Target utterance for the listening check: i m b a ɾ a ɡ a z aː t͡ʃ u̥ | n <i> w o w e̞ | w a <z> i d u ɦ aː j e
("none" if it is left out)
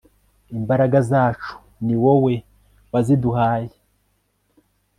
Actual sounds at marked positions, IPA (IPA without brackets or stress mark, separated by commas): i, z